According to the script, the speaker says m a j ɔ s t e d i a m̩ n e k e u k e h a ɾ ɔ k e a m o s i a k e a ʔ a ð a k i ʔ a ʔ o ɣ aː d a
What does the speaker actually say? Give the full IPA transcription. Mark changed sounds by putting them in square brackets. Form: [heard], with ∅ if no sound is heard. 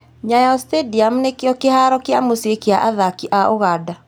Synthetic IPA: [ɲ] a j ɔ s t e d i a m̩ n e k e [ɔ] k e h a ɾ ɔ k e a m o s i [e] k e a ʔ a ð a k i ʔ a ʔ o ɣ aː d a